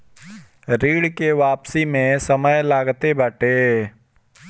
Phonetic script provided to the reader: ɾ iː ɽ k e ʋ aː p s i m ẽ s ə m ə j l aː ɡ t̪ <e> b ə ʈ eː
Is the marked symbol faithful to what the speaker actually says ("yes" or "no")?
yes